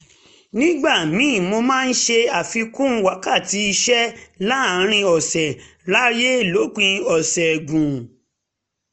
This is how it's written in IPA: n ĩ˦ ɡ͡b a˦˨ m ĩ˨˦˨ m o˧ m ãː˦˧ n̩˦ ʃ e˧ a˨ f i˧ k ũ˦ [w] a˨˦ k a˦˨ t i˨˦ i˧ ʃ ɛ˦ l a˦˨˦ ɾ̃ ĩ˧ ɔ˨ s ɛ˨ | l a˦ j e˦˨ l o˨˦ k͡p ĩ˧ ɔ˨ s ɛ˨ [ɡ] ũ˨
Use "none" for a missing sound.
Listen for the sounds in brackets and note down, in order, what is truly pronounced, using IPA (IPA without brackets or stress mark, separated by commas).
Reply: w, ɡ